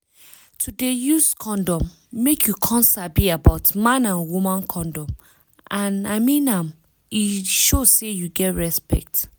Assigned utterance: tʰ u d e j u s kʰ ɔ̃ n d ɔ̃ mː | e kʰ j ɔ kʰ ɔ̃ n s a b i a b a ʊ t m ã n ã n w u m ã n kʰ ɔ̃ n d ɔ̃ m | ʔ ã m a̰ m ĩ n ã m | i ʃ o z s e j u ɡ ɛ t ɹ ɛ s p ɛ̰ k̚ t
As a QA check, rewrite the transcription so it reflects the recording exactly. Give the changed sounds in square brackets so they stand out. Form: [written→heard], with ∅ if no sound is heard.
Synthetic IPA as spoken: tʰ u d e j u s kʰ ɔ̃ n d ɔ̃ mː | e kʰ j [ɔ→u] kʰ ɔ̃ n s a b i a b a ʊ t m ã n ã n w u m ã n kʰ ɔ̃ n d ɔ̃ m | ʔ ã [m→n] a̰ m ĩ n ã m | i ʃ o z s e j u ɡ ɛ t ɹ ɛ s p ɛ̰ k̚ t

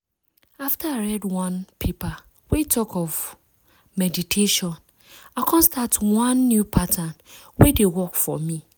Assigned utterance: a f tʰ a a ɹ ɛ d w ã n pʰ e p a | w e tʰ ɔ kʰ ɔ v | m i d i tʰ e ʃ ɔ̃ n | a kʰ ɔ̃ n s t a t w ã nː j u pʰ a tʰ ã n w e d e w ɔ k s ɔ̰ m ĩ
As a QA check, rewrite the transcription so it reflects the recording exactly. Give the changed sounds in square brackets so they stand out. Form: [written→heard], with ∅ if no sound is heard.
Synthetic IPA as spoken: a f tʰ a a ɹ ɛ d w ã n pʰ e p a | w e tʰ ɔ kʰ ɔ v | m [i→ɛ] d i tʰ e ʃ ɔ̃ n | a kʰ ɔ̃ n s t a t w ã nː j u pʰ a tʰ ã n w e d e w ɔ k [s→f] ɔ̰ m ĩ

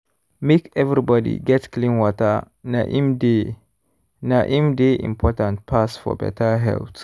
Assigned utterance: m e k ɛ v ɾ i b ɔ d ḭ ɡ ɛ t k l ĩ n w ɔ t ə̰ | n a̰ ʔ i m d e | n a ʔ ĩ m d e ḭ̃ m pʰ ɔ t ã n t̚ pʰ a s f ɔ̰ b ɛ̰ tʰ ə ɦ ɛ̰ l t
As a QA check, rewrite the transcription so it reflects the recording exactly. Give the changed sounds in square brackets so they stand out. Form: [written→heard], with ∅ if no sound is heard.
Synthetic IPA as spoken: m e k ɛ v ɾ i b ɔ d ḭ ɡ ɛ t k l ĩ n w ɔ t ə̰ | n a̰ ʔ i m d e | n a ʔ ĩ m d e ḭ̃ m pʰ ɔ t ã n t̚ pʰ a s f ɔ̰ b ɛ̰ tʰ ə ɦ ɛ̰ l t

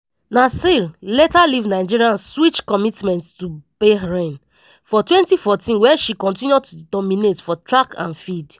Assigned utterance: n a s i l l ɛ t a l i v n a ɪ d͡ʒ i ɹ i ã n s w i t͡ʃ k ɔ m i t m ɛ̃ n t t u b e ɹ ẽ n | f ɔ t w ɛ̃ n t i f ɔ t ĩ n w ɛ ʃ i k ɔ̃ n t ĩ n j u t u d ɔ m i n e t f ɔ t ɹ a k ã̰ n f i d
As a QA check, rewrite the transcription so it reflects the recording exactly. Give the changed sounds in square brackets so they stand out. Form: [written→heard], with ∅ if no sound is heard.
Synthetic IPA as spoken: n a s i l l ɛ t a l i v n a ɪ d͡ʒ i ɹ i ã n s w i t͡ʃ k ɔ m i t m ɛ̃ n t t u b e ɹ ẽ n | f ɔ t w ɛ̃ n t i f ɔ t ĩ n w ɛ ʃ i k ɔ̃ n t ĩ n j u t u d ɔ m i n e t f ɔ t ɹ a k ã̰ n f i d

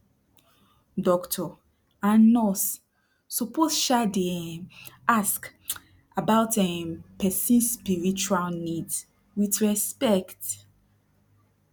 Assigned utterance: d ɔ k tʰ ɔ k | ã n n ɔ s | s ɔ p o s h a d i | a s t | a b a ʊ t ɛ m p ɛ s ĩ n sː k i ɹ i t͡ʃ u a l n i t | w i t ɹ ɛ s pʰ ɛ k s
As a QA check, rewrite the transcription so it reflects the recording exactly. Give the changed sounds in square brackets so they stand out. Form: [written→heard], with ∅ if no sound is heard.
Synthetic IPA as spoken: d ɔ k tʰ ɔ [k→∅] | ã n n ɔ s | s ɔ p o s [h→ʃ] a d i | a s [t→k] | a b a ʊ t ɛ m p ɛ s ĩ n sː [k→p] i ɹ i t͡ʃ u a l n i [t→d] | w i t ɹ ɛ s [pʰ→p] ɛ k [s→t]

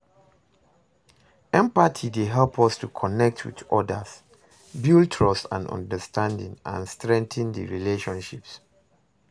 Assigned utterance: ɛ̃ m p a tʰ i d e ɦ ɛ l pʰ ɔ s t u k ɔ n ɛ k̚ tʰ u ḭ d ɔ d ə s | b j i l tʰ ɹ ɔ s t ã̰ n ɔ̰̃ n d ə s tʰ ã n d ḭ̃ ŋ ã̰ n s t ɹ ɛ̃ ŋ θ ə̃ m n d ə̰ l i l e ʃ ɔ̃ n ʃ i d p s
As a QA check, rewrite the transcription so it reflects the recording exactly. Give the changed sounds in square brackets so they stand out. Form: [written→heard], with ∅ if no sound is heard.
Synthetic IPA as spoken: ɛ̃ m p a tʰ i d e ɦ ɛ l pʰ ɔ s t u [k→kʰ] ɔ n ɛ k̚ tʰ [u→w] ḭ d ɔ d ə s | b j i l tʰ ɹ ɔ s t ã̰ n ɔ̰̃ n d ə s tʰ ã n d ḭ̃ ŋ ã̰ n s t ɹ ɛ̃ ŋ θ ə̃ [m→∅] n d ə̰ [l→ɹ] i l e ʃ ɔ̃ n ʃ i [d→∅] p s

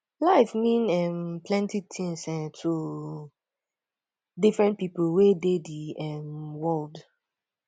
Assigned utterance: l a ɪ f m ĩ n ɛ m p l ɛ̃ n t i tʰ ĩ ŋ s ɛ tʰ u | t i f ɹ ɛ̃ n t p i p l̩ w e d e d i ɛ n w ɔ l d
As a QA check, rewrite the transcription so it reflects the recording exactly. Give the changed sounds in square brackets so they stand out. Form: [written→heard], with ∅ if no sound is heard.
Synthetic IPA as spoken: l a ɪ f m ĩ n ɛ m p l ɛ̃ n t i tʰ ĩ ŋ s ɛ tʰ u | [t→d] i f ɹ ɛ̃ n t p i p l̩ w e d e d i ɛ [n→m] w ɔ l d

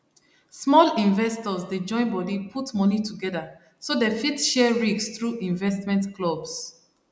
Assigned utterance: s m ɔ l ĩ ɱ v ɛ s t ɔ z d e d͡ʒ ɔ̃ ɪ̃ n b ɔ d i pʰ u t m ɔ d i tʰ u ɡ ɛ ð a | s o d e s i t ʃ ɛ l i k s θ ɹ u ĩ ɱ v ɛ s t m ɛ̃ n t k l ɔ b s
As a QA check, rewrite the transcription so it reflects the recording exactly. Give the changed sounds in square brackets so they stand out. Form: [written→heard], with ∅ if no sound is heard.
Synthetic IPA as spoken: s m ɔ l ĩ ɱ v ɛ s t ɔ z d e d͡ʒ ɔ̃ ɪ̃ n b ɔ d i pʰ u t m ɔ [d→n] i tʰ u ɡ ɛ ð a | s o d e [s→f] i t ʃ ɛ [l→ɹ] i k s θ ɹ u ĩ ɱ v ɛ s t m ɛ̃ n t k l ɔ b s

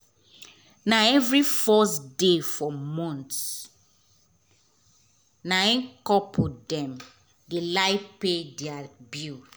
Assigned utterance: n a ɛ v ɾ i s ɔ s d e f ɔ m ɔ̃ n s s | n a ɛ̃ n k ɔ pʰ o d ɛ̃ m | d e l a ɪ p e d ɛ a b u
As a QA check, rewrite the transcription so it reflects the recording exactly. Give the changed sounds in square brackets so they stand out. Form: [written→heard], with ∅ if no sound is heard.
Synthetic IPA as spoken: n a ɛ v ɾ i [s→f] ɔ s d e f ɔ m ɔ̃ n [s→t] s | n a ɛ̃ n k ɔ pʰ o d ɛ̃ m | d e l a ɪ p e d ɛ a b u

